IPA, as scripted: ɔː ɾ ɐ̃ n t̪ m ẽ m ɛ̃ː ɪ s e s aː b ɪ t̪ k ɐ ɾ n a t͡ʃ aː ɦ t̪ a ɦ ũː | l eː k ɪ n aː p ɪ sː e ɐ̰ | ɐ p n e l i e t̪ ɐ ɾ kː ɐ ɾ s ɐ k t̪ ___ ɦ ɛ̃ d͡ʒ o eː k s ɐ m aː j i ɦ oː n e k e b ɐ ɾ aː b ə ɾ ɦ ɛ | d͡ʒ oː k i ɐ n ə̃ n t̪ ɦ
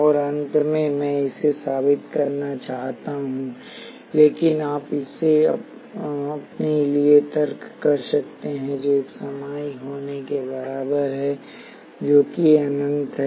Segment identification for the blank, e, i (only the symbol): e